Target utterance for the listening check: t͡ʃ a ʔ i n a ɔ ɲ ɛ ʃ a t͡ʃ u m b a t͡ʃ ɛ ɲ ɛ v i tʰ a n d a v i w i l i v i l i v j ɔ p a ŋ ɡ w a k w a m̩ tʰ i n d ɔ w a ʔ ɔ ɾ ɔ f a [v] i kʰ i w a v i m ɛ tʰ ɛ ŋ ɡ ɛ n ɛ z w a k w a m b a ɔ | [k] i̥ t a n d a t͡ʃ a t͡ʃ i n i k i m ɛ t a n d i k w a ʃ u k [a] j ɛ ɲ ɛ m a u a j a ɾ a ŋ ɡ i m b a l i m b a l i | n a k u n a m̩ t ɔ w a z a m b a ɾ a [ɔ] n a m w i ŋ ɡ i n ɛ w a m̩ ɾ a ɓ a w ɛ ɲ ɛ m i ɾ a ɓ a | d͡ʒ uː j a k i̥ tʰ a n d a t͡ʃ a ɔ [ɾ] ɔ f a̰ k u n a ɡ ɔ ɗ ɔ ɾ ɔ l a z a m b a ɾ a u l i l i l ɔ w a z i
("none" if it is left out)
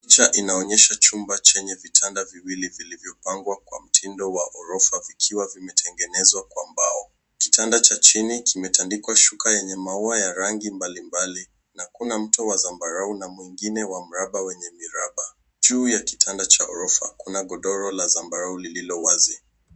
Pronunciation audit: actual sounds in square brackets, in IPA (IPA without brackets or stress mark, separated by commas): v, k, a, u, ɾ